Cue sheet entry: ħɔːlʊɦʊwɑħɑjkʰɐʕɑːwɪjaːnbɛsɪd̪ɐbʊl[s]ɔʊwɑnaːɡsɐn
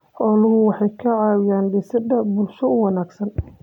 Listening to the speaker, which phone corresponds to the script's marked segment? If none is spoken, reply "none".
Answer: ʃ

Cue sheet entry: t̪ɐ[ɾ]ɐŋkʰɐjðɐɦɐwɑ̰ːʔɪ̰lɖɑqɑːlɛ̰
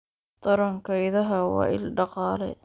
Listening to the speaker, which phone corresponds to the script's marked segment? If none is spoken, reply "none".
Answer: ɾ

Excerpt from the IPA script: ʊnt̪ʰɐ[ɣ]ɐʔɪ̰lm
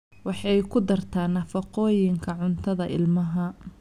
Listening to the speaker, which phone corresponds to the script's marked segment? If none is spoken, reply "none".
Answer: ð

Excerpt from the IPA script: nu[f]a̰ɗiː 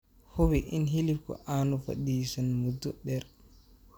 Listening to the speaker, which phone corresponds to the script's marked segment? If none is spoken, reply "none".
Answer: f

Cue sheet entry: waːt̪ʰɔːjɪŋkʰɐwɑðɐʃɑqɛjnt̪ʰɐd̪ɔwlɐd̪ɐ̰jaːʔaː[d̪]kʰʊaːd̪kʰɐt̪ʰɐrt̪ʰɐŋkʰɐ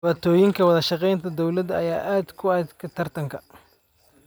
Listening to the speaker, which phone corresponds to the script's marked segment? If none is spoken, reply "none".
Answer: d̪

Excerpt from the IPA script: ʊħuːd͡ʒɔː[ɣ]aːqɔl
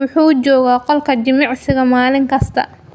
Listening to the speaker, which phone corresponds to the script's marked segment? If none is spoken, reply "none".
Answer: ɣ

